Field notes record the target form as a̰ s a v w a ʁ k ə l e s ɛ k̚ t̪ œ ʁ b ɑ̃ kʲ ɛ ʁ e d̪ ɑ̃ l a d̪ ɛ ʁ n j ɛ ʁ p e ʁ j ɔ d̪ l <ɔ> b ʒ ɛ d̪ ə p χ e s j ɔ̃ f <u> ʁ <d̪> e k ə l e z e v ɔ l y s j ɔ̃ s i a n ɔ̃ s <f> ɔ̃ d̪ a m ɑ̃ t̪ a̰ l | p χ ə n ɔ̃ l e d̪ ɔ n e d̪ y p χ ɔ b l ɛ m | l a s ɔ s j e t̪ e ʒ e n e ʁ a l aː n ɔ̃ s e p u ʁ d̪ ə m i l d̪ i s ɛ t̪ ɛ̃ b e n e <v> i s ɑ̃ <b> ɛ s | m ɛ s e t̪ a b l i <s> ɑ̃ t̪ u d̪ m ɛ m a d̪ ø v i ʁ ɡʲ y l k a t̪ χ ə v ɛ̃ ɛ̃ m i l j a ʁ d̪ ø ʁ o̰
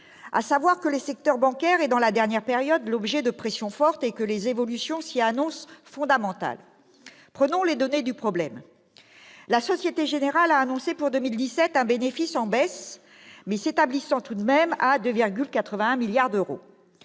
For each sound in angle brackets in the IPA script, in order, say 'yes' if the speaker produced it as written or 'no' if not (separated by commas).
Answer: yes, no, no, yes, no, yes, yes